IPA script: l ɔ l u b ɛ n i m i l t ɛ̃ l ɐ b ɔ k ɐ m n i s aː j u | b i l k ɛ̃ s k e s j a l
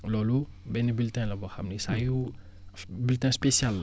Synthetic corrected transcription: l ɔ l u b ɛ n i b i l t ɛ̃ l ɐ b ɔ x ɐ m n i s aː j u | b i l t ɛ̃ s p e s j a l